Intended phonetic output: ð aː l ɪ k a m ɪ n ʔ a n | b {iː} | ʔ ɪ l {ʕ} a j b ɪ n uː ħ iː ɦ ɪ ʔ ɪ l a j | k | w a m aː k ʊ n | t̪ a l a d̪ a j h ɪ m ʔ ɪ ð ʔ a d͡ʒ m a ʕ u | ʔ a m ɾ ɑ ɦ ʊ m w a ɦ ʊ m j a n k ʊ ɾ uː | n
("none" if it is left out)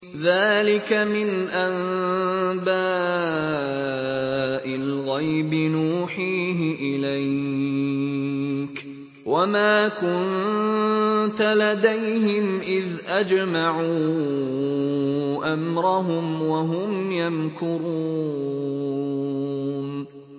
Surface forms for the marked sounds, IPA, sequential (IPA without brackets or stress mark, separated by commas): aː, ɣ